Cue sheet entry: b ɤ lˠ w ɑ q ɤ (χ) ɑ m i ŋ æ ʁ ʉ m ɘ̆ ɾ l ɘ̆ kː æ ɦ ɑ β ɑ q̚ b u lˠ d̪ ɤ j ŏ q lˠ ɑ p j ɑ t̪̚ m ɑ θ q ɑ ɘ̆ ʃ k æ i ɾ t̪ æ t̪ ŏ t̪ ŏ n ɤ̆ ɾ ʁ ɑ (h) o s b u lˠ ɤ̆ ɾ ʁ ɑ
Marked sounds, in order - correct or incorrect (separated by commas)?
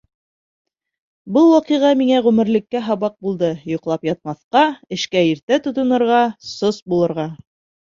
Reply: incorrect, incorrect